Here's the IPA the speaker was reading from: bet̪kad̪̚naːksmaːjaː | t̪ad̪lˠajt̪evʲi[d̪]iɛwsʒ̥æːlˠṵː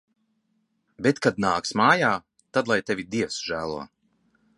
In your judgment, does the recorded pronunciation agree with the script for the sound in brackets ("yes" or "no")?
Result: yes